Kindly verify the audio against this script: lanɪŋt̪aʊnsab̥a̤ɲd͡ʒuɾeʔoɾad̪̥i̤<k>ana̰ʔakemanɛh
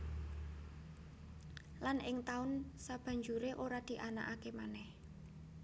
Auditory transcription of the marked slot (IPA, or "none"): ʔ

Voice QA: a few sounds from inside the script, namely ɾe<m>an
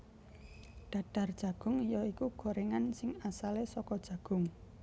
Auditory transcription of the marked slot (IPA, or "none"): ŋ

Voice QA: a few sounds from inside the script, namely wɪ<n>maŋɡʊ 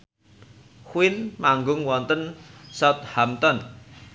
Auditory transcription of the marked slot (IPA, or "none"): n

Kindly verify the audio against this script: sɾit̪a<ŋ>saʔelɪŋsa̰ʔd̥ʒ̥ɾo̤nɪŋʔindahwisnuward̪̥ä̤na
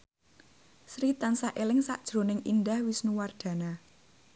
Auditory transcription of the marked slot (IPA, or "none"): n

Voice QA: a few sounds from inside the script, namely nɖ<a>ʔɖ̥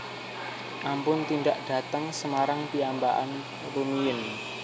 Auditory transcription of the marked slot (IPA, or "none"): a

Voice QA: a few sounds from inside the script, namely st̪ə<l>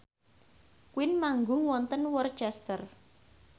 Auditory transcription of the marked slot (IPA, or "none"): r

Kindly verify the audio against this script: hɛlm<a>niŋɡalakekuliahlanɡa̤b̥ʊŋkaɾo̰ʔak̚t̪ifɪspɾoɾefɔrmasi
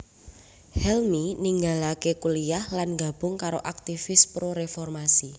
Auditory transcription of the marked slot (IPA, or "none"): i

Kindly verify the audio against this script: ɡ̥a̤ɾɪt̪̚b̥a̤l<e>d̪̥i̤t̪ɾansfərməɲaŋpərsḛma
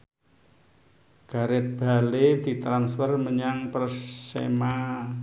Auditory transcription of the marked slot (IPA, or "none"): e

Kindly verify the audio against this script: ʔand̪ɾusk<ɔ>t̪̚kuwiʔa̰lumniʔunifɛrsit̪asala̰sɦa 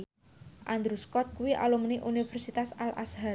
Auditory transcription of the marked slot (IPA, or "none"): ɔ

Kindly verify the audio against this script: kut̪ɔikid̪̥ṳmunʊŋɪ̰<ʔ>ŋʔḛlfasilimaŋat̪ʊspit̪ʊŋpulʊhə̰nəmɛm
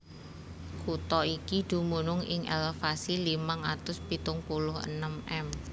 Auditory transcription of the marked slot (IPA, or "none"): none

